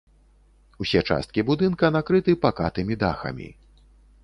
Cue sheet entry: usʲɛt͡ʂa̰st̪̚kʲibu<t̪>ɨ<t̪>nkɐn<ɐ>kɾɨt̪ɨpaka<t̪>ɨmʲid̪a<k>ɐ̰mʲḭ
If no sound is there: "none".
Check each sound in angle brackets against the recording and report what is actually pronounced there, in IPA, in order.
d̪, none, a, t̪, x

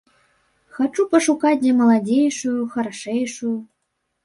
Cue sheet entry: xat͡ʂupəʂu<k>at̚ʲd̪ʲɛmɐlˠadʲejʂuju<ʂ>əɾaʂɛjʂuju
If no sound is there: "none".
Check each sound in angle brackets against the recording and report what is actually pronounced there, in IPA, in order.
k, x

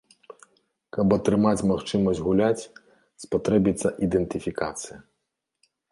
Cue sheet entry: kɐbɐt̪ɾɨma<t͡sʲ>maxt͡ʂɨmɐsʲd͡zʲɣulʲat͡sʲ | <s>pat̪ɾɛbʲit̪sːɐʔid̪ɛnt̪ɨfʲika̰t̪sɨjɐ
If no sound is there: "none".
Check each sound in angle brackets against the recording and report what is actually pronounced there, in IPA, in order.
t͡sʲ, s

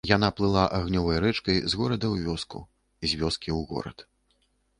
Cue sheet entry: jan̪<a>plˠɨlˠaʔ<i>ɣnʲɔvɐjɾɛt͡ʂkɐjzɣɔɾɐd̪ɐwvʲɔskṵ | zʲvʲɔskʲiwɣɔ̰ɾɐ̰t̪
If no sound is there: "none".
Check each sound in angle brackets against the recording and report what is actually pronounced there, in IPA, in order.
a, a

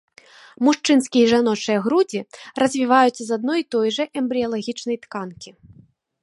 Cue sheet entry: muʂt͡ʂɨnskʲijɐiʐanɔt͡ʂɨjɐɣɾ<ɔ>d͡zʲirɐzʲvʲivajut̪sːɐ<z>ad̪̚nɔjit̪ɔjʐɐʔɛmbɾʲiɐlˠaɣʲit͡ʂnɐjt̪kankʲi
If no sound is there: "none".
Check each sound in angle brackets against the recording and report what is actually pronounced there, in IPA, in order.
u, z

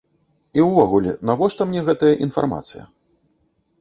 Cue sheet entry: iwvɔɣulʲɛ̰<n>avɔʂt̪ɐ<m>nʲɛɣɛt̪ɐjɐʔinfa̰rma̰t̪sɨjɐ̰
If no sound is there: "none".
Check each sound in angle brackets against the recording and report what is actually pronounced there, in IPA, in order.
n, m

